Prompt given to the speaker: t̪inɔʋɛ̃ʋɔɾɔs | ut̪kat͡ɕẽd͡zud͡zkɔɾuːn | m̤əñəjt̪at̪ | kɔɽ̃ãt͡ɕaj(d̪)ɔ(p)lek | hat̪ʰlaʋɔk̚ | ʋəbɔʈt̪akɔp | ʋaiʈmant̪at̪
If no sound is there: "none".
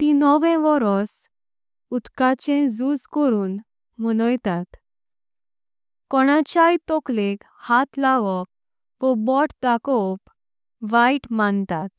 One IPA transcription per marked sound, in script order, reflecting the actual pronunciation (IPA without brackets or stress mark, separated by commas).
t̪, k